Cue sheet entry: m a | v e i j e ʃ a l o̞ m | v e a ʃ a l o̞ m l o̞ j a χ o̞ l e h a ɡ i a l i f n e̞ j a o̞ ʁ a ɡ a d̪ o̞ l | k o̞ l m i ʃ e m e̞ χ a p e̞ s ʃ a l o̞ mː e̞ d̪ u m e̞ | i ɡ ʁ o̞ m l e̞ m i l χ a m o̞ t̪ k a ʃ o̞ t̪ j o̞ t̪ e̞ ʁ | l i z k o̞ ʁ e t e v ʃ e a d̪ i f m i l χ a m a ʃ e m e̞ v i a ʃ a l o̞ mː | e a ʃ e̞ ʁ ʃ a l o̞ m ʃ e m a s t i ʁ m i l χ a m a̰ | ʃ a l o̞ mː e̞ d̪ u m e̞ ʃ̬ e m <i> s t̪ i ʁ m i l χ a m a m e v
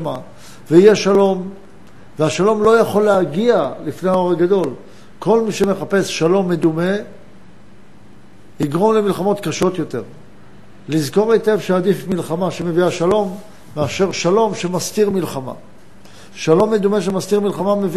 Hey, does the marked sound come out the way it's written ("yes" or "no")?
no